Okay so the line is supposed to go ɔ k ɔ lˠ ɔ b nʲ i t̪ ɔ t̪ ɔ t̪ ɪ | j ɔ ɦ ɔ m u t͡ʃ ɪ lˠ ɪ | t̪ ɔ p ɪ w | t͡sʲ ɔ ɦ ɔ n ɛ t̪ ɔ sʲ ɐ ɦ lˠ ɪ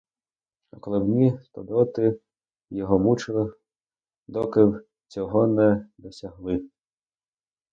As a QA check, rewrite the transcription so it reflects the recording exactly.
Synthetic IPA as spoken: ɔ k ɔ lˠ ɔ b nʲ i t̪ ɔ d̪ ɔ t̪ ɪ | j ɔ ɦ ɔ m u t͡ʃ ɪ lˠ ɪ | d̪ ɔ k ɪ w | t͡sʲ ɔ ɦ ɔ n ɛ d̪ ɔ sʲ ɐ ɦ lˠ ɪ